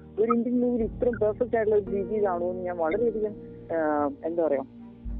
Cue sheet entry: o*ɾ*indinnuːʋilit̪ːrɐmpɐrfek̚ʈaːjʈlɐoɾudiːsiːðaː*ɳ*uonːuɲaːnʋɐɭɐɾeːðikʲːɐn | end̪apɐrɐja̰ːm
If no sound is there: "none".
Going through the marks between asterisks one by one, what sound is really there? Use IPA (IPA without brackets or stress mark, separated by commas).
ɾ, ɳ